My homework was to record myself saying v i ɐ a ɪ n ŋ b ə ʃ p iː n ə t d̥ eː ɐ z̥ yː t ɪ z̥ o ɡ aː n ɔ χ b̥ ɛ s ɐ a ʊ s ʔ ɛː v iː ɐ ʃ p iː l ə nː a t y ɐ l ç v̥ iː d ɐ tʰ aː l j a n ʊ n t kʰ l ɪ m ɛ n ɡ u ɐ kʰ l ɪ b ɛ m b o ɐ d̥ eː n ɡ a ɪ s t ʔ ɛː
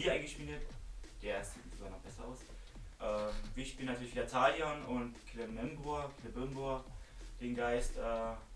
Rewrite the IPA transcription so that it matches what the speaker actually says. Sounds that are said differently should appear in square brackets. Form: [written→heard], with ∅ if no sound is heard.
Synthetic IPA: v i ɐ a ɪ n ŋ [b→ɡ] ə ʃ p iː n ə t d̥ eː ɐ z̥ [yː→iː] t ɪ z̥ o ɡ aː n ɔ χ b̥ ɛ s ɐ a ʊ s ʔ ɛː v iː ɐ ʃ p iː l ə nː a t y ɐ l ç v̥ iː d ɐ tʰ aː l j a n ʊ n t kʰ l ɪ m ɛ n [ɡ→b] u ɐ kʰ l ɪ b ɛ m b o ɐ d̥ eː n ɡ a ɪ s t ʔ ɛː

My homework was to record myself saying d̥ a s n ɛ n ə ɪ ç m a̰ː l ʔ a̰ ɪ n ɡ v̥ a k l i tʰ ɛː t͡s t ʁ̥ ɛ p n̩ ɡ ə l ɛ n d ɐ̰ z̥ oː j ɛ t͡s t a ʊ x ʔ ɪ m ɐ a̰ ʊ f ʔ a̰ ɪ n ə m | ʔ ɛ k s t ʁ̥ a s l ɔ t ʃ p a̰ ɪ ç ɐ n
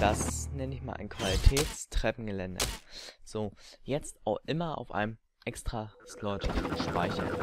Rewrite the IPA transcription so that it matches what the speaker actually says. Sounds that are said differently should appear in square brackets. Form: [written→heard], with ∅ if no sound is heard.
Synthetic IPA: d̥ a s n ɛ n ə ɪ ç m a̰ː l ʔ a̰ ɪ n [ɡ→k] v̥ a [k→∅] l i tʰ ɛː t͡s t ʁ̥ ɛ p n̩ ɡ ə l ɛ n d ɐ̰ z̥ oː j ɛ t͡s t a ʊ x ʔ ɪ m ɐ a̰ ʊ f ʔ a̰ ɪ n ə m | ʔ ɛ k s t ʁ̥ a s l ɔ t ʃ p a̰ ɪ ç ɐ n

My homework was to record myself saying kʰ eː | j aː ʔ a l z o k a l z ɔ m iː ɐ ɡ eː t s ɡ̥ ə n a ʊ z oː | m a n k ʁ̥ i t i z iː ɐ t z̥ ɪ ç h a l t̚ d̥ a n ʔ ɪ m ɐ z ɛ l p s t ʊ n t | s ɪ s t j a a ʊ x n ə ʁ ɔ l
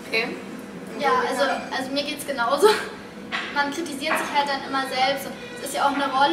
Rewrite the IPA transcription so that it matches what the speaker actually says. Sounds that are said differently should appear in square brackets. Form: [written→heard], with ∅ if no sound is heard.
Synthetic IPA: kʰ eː | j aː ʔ a l z o [k→ʔ] a l z [ɔ→o] m iː ɐ ɡ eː t s ɡ̥ ə n a ʊ z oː | m a n k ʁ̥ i t i z iː ɐ t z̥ ɪ ç h a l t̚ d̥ a n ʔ ɪ m ɐ z ɛ l p s t ʊ n t | s ɪ s t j a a ʊ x n ə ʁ ɔ l

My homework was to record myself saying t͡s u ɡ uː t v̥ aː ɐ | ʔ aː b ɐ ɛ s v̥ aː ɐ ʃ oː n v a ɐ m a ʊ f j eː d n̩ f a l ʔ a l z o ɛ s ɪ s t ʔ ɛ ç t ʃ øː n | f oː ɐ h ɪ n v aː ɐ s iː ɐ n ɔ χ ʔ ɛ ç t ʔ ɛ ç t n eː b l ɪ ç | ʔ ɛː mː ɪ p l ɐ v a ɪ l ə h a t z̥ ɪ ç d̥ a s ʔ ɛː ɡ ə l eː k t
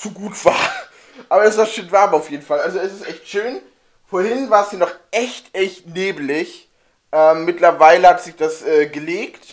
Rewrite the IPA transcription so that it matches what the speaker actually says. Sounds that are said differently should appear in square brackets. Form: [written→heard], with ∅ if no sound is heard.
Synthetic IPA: t͡s u ɡ uː t v̥ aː ɐ | ʔ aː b ɐ ɛ s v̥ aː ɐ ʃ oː n v a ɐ m a ʊ f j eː d n̩ f a l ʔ a l z o ɛ s ɪ s t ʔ ɛ ç t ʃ øː n | f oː ɐ h ɪ n v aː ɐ s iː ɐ n ɔ χ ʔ ɛ ç t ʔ ɛ ç t n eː b l ɪ ç | ʔ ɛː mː ɪ [p→t] l ɐ v a ɪ l ə h a t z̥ ɪ ç d̥ a s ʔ ɛː ɡ ə l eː k t

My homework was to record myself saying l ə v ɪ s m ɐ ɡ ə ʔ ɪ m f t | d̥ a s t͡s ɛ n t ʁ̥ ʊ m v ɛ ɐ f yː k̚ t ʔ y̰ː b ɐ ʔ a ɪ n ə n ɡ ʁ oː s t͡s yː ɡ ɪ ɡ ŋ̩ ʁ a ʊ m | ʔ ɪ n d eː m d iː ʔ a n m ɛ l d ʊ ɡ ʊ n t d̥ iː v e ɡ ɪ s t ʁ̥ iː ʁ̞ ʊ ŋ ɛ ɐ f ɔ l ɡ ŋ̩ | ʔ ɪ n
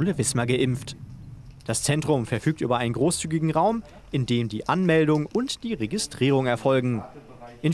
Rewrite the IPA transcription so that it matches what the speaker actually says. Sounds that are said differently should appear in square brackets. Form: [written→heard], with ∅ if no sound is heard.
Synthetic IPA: l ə v ɪ s m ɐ ɡ ə ʔ ɪ m f t | d̥ a s t͡s ɛ n t ʁ̥ ʊ m [v→f] ɛ ɐ f yː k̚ t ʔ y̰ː b ɐ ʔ a ɪ n ə n ɡ ʁ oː s t͡s yː ɡ ɪ ɡ ŋ̩ ʁ a ʊ m | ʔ ɪ n d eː m d iː ʔ a n m ɛ l d ʊ [ɡ→ŋ] ʊ n t d̥ iː [v→ʁ] e ɡ ɪ s t ʁ̥ iː ʁ̞ ʊ ŋ ɛ ɐ f ɔ l ɡ ŋ̩ | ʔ ɪ n

